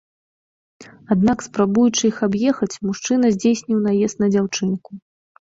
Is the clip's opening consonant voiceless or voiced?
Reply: voiced